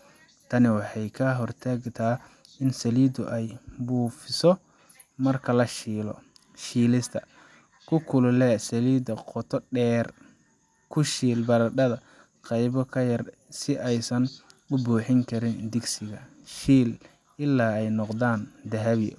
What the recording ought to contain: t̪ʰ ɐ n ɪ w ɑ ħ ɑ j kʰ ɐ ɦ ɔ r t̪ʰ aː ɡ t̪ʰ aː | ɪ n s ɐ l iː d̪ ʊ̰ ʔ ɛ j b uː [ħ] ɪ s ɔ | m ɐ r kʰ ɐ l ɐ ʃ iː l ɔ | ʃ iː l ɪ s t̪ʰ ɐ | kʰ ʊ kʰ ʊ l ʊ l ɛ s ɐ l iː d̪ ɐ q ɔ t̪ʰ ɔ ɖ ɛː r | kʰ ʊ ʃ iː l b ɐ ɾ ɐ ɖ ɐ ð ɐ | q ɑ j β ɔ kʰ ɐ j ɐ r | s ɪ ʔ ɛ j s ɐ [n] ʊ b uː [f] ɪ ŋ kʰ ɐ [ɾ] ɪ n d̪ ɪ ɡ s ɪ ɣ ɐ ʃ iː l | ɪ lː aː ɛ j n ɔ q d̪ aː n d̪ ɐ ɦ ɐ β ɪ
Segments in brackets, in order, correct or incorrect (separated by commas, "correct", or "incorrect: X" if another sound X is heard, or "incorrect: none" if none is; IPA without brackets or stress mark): incorrect: f, correct, incorrect: ħ, correct